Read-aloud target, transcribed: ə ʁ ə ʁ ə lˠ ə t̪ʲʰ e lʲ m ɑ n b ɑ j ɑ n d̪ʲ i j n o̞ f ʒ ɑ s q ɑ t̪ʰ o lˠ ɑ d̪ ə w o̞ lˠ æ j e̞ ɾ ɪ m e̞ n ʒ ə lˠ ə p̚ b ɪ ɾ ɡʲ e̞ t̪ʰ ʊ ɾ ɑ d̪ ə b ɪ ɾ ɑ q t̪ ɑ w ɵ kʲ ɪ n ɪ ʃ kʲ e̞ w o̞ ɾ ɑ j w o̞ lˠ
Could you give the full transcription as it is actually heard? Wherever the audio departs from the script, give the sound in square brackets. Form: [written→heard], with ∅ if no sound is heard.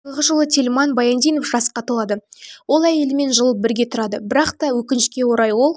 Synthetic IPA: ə ʁ ə [ʁ→ʒ] ə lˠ ə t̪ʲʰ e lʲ m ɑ n b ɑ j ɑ n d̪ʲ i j n o̞ f ʒ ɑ s q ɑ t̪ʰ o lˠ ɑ d̪ ə w o̞ lˠ æ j e̞ [ɾ→l] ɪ m e̞ n ʒ ə lˠ ə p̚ b ɪ ɾ ɡʲ e̞ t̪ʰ ʊ ɾ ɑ d̪ ə b ɪ ɾ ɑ q t̪ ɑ w ɵ kʲ ɪ n ɪ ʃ kʲ e̞ w o̞ ɾ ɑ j w o̞ lˠ